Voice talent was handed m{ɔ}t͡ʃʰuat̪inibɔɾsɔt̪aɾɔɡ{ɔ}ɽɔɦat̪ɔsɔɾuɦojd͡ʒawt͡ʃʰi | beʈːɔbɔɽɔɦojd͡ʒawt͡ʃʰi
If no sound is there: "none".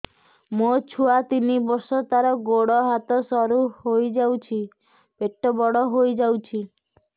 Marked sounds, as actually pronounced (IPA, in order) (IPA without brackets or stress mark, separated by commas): o, o